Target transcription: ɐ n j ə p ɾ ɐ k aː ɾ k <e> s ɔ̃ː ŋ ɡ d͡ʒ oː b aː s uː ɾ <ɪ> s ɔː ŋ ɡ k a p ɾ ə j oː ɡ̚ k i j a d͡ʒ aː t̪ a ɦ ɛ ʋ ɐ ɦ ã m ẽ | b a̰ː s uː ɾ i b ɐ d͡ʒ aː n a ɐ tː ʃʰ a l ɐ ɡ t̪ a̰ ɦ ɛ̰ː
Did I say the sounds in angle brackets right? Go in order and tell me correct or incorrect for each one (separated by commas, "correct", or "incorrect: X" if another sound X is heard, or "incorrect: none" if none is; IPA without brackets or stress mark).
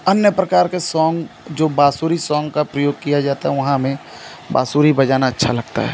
correct, incorrect: i